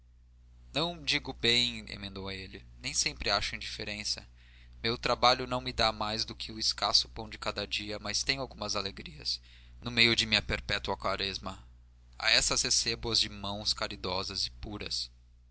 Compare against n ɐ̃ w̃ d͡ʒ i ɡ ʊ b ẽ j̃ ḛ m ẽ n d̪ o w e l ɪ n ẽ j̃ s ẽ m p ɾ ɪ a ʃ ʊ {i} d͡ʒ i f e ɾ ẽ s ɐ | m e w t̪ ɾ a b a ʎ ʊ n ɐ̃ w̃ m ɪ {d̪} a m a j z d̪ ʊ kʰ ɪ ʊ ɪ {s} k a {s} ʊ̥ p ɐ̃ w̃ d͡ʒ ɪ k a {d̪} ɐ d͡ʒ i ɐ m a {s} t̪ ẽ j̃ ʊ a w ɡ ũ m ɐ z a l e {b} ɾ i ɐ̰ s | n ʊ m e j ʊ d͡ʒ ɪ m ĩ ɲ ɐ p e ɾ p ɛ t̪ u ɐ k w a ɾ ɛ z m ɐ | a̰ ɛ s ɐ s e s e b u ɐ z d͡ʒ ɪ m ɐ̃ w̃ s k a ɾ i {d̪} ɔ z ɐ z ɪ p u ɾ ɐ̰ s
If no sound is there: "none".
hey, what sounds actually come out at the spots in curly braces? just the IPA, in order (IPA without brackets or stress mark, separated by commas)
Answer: ĩ, d̪, s, s, d̪, s, ɡ, d̪